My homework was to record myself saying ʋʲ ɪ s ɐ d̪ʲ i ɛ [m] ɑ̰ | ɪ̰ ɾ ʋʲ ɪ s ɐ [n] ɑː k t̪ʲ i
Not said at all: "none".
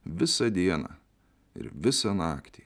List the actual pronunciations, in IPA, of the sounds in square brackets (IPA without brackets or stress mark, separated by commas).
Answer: n, n